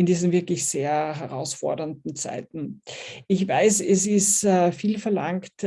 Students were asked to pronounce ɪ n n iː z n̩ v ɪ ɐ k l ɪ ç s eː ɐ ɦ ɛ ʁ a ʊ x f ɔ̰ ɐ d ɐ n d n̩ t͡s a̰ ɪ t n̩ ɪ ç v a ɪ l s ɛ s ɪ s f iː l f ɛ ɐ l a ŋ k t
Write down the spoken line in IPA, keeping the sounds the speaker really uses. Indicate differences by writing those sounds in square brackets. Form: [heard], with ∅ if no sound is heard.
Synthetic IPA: ɪ n [d] iː z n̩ v ɪ ɐ k l ɪ ç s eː ɐ ɦ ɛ ʁ a ʊ [s] f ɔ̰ ɐ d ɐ n d n̩ t͡s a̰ ɪ t n̩ ɪ ç v a ɪ [∅] s ɛ s ɪ s f iː l f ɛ ɐ l a ŋ k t